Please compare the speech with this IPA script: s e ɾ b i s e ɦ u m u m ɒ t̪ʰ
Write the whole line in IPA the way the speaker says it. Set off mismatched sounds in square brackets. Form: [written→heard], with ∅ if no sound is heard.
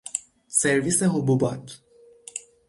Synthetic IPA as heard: s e ɾ [b→v] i s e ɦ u [m→b] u [m→b] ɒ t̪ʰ